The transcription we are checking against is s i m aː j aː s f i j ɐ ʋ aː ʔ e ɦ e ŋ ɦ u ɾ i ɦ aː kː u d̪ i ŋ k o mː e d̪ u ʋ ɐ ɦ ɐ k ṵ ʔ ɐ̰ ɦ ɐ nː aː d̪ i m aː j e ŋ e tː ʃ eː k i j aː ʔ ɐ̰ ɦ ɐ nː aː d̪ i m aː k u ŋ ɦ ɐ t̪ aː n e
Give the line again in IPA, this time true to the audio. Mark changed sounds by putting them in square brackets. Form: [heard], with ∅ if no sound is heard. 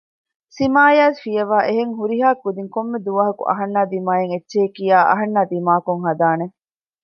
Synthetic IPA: s i m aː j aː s f i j ɐ ʋ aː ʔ e ɦ e ŋ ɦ u ɾ i ɦ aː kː u d̪ i ŋ k o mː e d̪ u ʋ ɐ ɦ ɐ k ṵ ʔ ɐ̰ ɦ ɐ nː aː d̪ i m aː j e ŋ e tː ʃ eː k i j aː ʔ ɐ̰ ɦ ɐ nː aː d̪ i m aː k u ŋ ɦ ɐ [d̪] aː n e